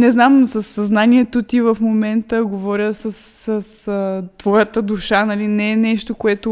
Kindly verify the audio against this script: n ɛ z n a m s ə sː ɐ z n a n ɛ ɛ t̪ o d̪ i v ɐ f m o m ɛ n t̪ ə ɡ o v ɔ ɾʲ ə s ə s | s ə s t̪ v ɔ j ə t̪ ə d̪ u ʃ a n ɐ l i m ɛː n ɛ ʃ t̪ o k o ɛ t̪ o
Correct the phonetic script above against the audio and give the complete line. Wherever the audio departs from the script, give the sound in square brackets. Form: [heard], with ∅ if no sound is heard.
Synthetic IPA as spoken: n ɛ z n a m s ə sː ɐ z n a n [i] ɛ t̪ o [t̪] i v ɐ f m o m ɛ n t̪ ə ɡ o v ɔ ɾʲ ə s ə s | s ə s t̪ v ɔ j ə t̪ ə d̪ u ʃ a n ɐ l i [n] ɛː n ɛ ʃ t̪ o k o ɛ t̪ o